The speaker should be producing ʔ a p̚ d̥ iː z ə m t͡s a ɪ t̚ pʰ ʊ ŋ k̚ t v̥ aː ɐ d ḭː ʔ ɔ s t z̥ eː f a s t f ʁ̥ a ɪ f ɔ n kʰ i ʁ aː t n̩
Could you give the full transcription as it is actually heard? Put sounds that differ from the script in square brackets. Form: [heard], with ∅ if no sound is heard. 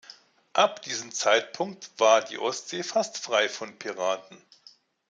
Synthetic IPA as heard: ʔ a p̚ d̥ iː z ə m t͡s a ɪ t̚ pʰ ʊ ŋ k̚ t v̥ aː ɐ d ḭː ʔ ɔ s t z̥ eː f a s t f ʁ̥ a ɪ f ɔ n [pʰ] i ʁ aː t n̩